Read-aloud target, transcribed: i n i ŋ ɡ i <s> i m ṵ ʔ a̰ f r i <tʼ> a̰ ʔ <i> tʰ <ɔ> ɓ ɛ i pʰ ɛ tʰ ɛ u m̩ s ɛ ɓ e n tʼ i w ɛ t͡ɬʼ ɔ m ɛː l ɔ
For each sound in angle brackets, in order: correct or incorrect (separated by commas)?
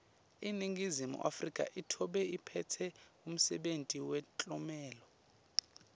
incorrect, incorrect, correct, correct